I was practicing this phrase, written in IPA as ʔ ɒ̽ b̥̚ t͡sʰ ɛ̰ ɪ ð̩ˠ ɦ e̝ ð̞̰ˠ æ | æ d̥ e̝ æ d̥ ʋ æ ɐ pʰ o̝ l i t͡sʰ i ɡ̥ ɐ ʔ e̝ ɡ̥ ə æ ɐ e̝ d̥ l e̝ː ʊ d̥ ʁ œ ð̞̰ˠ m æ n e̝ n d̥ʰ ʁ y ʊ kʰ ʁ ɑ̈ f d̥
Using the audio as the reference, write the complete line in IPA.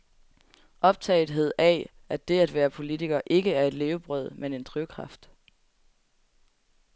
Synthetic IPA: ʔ ɒ̽ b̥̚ t͡sʰ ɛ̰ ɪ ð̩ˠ ɦ e̝ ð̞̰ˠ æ | æ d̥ e̝ æ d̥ ʋ æː ɐ pʰ o̝ l i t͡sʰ i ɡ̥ ɐ ʔ e̝ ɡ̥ ə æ ɐ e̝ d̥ l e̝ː ʊ b̥ ʁ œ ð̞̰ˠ m e n e̝ n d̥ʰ ʁ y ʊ kʰ ʁ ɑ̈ f d̥

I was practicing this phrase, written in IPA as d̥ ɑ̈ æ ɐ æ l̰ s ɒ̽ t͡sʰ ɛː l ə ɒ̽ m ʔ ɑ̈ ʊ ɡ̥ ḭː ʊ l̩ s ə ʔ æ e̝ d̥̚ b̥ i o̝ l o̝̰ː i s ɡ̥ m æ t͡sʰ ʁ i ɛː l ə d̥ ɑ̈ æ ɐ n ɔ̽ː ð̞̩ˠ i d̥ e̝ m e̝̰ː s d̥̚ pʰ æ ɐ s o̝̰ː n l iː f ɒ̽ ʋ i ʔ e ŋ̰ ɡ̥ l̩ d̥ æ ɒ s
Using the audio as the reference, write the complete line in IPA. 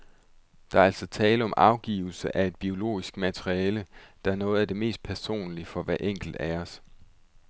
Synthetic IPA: d̥ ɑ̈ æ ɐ æ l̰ s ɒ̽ t͡sʰ ɛː l ə ɒ̽ m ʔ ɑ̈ ʊ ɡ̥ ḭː ʊ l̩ s ə ʔ æ e̝ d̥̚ b̥ i o̝ l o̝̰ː i s ɡ̥ m æ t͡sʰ ʁ i ɛː l ə d̥ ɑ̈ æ ɐ n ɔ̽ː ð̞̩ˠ æ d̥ e̝ m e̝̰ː s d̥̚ pʰ æ ɐ s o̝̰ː n l i f ɒ̽ ʋ æ ʔ e ŋ̰ ɡ̥ l̩ d̥ æ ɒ s

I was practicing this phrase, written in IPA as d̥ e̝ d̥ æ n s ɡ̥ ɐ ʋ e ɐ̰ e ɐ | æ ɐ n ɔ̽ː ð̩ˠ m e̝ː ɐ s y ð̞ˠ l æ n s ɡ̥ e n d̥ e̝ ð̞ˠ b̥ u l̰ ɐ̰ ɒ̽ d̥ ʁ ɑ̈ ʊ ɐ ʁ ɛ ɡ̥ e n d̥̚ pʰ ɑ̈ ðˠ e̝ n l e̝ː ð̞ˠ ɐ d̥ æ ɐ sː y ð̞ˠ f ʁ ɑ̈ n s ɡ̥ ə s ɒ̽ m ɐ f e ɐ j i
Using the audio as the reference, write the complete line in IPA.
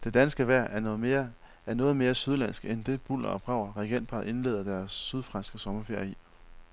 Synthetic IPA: d̥ e̝ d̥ æ n s ɡ̥ ə ʋ æ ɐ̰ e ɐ | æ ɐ n ɔ̽ː ð̩ˠ m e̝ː ɐ s y ð̞ˠ l æ n s ɡ̥ e n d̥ e̝ b̥ u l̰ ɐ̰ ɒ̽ b̥ ʁ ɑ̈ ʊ ɐ ʁ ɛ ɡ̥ e n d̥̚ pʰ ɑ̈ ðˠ e̝ n l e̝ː ð̞ˠ ɐ d̥ æ ɐ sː y ð̞ˠ f ʁ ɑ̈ n s ɡ̥ ə s ɒ̽ m ɐ f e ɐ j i

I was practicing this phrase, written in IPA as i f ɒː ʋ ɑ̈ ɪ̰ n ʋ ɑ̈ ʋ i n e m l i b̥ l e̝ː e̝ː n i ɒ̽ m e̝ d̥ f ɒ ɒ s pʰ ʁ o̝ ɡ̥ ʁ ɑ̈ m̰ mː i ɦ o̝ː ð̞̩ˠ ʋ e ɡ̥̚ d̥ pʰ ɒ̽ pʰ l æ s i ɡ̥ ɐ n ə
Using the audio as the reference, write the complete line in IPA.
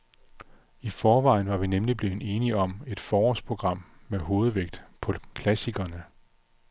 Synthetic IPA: i f ɒː ʋ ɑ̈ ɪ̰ n ʋ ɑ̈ ʋ i n e m l i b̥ l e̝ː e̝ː n i ɒ̽ m e̝ d̥ f ɒː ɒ s pʰ ʁ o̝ ɡ̥ ʁ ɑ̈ m̰ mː e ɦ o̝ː ð̞̩ˠ ʋ e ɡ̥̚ d̥ pʰ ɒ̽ kʰ l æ s i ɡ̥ ɐ n ə

